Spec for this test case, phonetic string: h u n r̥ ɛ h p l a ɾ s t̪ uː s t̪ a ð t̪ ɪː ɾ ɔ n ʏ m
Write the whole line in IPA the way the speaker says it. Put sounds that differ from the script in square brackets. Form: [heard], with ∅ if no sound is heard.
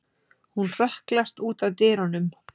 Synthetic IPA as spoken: h u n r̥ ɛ h [k] l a [∅] s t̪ uː [∅] t̪ a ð t̪ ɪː ɾ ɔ n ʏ m